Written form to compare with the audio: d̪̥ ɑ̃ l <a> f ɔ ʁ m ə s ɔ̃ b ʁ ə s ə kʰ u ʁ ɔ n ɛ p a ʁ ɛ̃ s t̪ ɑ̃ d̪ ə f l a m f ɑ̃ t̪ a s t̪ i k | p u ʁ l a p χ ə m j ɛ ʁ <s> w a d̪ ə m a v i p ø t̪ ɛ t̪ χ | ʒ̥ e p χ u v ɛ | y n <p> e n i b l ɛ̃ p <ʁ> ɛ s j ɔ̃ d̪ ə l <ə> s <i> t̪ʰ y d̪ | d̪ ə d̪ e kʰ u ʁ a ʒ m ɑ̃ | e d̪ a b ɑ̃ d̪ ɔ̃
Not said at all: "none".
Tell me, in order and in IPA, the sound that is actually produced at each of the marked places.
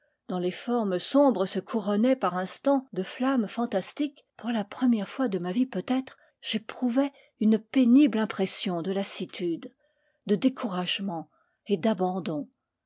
e, f, p, χ, a, i

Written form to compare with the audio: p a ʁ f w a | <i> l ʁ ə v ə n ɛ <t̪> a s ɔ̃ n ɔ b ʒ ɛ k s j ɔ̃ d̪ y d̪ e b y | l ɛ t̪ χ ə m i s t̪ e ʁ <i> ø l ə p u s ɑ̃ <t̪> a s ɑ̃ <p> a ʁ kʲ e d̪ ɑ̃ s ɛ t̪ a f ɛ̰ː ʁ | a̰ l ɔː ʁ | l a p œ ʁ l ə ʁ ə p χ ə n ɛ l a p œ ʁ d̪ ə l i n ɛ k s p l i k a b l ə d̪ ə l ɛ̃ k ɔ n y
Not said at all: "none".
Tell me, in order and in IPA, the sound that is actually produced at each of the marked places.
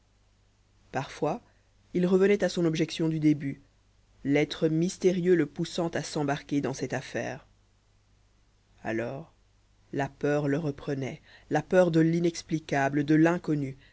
i, t̪, j, t̪, b

